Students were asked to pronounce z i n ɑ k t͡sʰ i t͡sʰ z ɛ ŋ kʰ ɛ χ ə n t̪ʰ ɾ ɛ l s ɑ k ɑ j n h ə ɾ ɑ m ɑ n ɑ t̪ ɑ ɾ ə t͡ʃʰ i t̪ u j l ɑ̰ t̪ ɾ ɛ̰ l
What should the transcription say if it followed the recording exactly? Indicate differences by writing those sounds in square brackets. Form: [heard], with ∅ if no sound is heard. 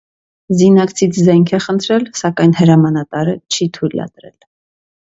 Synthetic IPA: z i n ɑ k t͡sʰ i t͡sʰ z ɛ ŋ kʰ ɛ χ ə n t̪ʰ ɾ ɛ l s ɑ k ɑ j n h ə ɾ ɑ m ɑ n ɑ t̪ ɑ ɾ ə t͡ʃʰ i [t̪ʰ] u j l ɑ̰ t̪ ɾ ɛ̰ l